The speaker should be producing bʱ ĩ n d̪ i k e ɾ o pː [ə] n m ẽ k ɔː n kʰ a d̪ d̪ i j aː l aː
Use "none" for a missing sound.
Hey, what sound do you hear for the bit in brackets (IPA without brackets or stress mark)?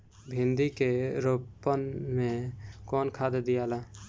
ə